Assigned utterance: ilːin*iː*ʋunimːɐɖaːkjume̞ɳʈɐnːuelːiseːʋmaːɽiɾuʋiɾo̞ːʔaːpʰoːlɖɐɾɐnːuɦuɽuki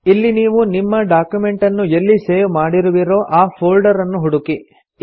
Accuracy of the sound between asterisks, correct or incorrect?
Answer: correct